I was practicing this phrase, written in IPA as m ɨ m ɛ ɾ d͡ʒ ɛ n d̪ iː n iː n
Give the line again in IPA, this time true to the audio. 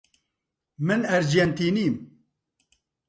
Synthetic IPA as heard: m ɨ n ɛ ɾ d͡ʒ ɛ n t̪ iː n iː m